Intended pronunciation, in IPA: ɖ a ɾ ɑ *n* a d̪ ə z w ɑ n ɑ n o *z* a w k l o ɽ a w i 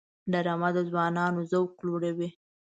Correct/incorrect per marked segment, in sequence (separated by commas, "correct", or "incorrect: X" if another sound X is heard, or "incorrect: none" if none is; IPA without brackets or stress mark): incorrect: m, correct